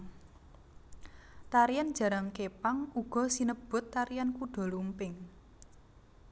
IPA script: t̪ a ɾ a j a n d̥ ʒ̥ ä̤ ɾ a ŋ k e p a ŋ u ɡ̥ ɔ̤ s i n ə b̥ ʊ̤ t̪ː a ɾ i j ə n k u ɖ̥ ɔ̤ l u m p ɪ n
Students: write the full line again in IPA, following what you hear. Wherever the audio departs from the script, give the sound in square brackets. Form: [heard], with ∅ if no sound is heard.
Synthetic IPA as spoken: t̪ a ɾ [i] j a n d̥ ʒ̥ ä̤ ɾ a ŋ k e p a ŋ u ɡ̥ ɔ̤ s i n ə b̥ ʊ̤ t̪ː a ɾ i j [a] n k u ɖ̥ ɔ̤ l u m p ɪ [ŋ]